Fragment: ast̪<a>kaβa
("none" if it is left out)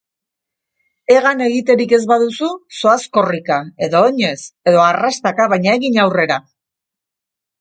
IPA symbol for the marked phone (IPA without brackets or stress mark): a